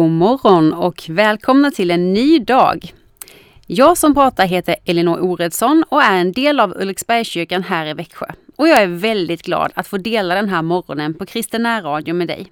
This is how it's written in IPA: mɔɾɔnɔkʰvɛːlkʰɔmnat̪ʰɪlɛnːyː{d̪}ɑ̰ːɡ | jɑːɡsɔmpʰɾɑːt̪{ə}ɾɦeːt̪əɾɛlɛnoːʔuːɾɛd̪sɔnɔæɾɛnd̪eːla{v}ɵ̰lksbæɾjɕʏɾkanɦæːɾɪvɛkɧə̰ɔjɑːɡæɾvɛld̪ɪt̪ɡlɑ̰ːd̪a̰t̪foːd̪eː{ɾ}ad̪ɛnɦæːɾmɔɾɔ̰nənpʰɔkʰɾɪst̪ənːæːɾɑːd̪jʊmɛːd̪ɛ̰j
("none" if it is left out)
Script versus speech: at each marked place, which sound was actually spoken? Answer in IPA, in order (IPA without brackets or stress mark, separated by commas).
d̪, a, v, l